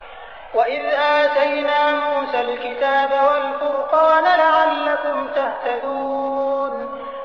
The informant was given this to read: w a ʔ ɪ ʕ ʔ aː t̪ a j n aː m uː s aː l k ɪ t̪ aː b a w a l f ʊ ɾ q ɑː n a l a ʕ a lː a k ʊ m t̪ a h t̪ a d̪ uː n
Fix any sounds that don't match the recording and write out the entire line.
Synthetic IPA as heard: w a ʔ ɪ ð ʔ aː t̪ a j n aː m uː s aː l k ɪ t̪ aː b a w a l f ʊ ɾ q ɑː n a l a ʕ a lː a k ʊ m t̪ a h t̪ a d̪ uː n

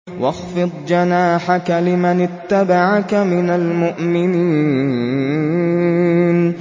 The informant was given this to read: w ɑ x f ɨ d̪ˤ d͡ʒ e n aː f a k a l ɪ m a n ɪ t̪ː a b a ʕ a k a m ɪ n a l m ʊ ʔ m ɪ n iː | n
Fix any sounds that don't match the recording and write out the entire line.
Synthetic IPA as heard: w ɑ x f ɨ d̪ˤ d͡ʒ a n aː ħ a k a l ɪ m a n ɪ t̪ː a b a ʕ a k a m ɪ n a l m ʊ ʔ m ɪ n iː | n

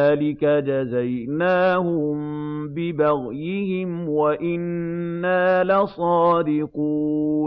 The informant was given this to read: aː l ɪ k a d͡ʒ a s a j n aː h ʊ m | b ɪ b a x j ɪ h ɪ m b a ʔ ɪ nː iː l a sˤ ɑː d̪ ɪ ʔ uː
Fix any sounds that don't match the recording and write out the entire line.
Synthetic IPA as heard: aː l ɪ k a d͡ʒ a z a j n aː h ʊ m | b ɪ b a ɣ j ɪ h ɪ m w a ʔ ɪ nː aː l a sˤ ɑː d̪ ɪ q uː

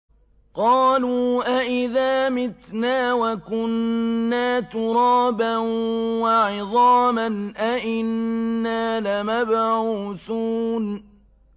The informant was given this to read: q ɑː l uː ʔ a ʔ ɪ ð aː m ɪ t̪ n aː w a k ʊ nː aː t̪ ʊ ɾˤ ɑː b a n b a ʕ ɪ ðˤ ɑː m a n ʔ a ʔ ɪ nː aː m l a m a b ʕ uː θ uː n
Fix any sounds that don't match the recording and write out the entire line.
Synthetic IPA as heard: q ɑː l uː ʔ a ʔ ɪ ð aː m ɪ t̪ n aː w a k ʊ nː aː t̪ ʊ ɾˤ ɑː b a n w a ʕ ɪ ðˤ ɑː m a n ʔ a ʔ ɪ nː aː l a m a b ʕ uː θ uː n

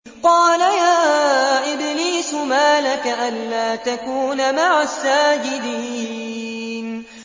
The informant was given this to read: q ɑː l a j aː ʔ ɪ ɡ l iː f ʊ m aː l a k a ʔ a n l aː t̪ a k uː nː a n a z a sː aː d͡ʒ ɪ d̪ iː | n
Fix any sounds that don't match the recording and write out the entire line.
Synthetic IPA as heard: q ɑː l a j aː ʔ ɪ b l iː s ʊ m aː l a k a ʔ a n l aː t̪ a k uː n a m a ʕ a sː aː d͡ʒ ɪ d̪ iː | n

